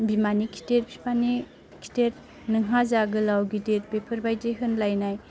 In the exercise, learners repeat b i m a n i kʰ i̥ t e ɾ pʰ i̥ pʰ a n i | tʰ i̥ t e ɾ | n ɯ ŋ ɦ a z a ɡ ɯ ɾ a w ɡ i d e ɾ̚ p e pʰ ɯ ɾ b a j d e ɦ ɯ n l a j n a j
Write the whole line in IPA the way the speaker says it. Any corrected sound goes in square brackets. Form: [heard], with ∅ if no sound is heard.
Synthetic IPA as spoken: b i m a n i kʰ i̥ t e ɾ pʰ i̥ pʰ a n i | [kʰ] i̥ t e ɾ | n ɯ ŋ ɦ a z a ɡ ɯ [l] a w ɡ i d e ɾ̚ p e pʰ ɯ ɾ b a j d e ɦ ɯ n l a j n a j